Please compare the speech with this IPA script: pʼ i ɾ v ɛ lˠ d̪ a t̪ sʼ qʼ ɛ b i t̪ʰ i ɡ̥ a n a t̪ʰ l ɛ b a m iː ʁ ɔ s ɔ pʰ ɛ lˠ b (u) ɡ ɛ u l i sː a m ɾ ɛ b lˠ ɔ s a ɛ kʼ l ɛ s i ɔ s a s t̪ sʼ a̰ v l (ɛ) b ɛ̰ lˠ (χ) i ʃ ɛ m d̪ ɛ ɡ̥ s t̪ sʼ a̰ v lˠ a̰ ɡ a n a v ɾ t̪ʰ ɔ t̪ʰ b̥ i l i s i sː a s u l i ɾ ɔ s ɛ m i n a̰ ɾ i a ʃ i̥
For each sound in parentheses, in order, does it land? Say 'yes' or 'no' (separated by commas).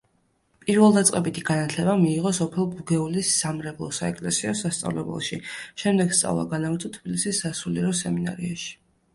yes, yes, no